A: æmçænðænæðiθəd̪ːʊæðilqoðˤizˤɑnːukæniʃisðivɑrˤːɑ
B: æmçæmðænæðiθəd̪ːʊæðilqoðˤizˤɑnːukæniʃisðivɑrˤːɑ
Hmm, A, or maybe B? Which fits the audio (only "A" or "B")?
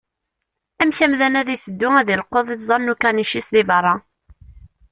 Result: B